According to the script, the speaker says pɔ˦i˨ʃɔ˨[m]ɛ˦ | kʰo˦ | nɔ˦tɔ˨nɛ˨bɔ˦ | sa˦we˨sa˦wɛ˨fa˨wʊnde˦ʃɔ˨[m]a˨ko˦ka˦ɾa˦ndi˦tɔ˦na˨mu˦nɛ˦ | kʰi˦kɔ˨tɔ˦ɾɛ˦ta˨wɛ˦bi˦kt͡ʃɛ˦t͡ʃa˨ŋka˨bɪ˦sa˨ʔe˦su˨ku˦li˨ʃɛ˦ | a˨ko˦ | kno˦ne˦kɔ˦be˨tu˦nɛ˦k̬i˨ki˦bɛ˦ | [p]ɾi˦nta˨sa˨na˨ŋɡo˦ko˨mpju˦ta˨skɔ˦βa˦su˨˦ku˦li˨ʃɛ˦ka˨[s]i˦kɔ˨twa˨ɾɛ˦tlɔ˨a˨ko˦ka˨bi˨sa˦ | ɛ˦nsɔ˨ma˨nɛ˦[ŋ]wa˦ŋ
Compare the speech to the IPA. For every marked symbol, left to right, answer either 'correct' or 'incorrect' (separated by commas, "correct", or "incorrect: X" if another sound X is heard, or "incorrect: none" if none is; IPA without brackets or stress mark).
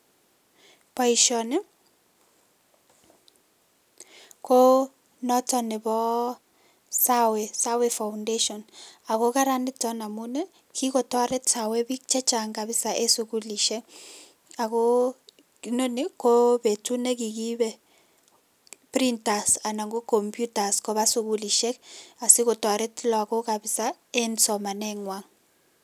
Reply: incorrect: n, incorrect: n, correct, correct, correct